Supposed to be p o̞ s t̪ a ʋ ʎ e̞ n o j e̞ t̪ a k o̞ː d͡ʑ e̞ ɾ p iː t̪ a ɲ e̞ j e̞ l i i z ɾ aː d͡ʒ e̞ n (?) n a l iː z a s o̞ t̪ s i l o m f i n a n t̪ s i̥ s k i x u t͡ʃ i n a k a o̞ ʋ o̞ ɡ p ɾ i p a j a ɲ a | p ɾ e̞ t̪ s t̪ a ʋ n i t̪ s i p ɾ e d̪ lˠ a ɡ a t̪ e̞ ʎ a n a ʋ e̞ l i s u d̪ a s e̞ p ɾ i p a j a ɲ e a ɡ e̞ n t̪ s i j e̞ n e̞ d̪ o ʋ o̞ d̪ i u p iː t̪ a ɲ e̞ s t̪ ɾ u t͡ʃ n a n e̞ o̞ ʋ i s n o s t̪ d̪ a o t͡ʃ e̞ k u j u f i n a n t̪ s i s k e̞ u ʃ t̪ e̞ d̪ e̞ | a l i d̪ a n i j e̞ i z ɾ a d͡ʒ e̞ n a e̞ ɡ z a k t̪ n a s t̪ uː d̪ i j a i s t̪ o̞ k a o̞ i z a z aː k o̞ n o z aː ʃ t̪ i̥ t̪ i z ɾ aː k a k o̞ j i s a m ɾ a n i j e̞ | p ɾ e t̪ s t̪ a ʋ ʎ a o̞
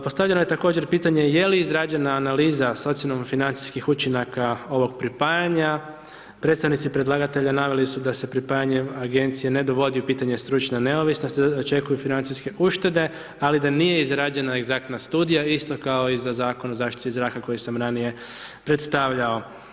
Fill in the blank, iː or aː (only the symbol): aː